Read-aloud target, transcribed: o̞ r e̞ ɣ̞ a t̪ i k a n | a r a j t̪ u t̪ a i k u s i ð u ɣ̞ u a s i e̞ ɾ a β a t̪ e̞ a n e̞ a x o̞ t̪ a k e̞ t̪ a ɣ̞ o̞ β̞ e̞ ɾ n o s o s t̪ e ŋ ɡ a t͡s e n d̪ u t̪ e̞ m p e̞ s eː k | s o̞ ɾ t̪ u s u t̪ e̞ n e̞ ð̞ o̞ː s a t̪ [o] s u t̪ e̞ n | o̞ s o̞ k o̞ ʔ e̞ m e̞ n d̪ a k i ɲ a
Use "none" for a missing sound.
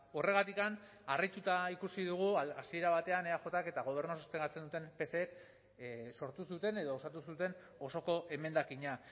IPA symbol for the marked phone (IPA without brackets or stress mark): u